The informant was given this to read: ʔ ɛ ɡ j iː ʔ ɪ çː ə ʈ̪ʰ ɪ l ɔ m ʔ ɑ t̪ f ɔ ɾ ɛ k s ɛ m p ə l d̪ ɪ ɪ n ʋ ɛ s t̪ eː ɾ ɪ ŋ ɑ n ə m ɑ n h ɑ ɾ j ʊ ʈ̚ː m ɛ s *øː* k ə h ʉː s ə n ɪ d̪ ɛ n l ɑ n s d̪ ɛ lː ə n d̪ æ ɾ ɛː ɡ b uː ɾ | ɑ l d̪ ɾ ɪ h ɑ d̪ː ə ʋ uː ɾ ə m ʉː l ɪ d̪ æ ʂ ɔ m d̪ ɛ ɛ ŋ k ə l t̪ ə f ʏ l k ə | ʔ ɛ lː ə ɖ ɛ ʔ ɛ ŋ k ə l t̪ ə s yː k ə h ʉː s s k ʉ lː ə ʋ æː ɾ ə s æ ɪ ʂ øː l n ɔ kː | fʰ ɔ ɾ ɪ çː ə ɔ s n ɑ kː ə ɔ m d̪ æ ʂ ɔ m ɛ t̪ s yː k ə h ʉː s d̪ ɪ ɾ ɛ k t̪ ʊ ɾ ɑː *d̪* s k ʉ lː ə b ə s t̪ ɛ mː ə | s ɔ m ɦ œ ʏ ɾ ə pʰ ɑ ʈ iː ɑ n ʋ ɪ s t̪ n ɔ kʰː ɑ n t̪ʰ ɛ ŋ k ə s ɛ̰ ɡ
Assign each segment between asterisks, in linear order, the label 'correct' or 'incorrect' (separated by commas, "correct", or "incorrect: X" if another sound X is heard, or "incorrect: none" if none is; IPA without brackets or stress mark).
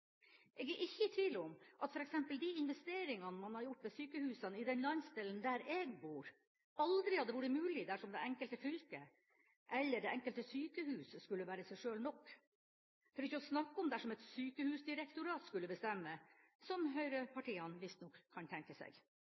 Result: incorrect: yː, incorrect: t̪